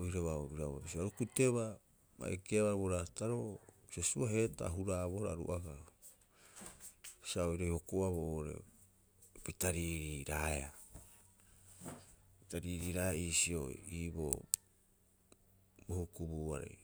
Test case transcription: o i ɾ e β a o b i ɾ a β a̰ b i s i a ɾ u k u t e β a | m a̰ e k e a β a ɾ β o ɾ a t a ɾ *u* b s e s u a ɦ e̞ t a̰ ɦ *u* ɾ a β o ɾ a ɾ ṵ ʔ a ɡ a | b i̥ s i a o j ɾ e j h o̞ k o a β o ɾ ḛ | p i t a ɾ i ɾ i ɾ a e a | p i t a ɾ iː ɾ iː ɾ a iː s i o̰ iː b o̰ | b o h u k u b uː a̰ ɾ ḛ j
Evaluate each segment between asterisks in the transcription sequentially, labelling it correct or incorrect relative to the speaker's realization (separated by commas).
incorrect, correct